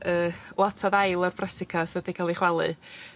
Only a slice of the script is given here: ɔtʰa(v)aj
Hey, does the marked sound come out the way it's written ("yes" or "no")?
no